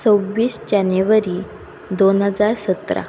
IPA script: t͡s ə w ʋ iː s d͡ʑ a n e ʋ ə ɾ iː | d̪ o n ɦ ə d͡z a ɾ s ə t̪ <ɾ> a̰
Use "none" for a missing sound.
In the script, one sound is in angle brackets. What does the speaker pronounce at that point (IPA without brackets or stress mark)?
ɾ